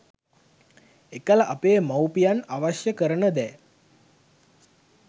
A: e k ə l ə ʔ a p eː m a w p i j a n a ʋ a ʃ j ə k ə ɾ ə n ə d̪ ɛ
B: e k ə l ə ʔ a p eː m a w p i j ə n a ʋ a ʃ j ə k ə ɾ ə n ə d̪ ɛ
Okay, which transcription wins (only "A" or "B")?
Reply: A